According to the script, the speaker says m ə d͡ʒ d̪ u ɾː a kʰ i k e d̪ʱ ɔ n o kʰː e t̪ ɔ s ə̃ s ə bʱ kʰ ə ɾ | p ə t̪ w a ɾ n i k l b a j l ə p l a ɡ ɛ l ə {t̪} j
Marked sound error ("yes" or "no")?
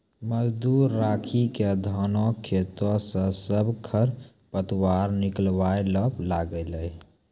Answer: yes